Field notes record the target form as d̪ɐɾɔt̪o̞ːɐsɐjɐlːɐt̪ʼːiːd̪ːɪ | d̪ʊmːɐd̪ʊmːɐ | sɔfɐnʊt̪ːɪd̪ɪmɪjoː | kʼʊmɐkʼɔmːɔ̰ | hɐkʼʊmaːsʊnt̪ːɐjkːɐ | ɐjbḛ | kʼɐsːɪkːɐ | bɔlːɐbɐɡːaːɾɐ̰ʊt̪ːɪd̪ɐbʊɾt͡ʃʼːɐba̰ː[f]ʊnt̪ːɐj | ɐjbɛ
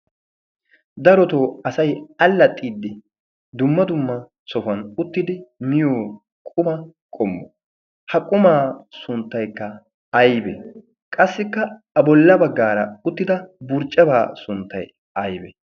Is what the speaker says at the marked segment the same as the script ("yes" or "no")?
no